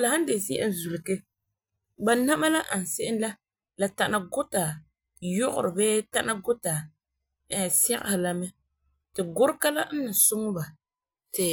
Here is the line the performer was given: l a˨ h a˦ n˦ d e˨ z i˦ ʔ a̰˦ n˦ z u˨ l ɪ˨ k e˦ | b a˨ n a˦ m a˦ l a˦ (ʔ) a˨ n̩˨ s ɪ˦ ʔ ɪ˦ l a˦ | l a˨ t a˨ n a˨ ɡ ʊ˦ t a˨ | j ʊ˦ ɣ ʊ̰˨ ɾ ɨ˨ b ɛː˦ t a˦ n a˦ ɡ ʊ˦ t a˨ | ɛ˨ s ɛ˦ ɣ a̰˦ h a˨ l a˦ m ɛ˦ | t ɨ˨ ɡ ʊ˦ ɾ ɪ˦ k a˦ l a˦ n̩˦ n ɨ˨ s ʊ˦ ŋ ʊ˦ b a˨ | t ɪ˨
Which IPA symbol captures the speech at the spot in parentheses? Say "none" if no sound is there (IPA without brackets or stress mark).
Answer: ʔ